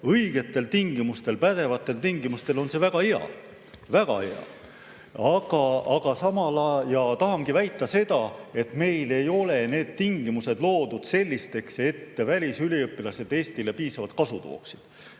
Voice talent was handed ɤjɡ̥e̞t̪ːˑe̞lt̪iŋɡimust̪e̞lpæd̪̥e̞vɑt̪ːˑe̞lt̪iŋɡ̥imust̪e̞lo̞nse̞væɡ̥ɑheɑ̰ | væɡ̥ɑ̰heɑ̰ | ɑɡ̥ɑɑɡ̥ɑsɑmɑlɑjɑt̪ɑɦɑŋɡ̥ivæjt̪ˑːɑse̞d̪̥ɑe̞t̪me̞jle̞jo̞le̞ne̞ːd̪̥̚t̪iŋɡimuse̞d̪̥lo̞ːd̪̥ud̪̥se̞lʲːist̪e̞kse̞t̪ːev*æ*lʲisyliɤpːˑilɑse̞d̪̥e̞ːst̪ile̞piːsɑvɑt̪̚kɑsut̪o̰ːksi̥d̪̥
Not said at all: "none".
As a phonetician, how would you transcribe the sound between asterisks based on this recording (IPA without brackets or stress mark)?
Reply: æ